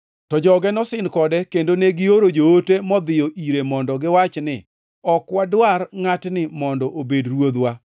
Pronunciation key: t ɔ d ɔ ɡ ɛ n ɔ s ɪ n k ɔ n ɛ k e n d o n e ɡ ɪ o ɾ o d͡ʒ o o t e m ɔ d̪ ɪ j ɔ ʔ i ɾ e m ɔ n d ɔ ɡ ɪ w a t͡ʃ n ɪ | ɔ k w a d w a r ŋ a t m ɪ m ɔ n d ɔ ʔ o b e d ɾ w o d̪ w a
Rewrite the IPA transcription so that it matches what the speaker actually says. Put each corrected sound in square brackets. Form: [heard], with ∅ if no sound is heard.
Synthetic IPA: t ɔ [d͡ʒ] ɔ ɡ ɛ n ɔ s ɪ n k ɔ [d] ɛ k e n d o n e ɡ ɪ o ɾ o d͡ʒ o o t e m ɔ d̪ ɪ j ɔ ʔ i ɾ e m ɔ n d ɔ ɡ ɪ w a t͡ʃ n ɪ | ɔ k w a d w a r ŋ a t [n] ɪ m ɔ n d ɔ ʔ o b e d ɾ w o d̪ w a